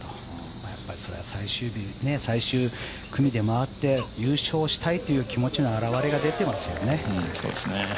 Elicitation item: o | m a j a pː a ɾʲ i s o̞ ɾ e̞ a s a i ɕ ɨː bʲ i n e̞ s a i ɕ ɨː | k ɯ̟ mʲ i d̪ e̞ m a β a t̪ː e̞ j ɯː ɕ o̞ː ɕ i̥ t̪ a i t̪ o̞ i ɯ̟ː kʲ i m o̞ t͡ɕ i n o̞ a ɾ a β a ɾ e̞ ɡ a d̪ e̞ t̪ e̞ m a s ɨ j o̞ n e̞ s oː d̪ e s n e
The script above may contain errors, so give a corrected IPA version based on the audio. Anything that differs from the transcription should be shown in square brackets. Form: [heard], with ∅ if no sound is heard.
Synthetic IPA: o | m a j a pː a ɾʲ i s o̞ ɾ e̞ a s a i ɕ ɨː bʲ i n e̞ s a i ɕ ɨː | k ɯ̟ mʲ i d̪ e̞ m a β a t̪ː e̞ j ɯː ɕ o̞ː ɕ i̥ t̪ a i t̪ o̞ [j] ɯ̟ː kʲ i m o̞ t͡ɕ i n o̞ a ɾ a β a ɾ e̞ ɡ a d̪ e̞ t̪ e̞ m a s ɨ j o̞ n e̞ s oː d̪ e s n e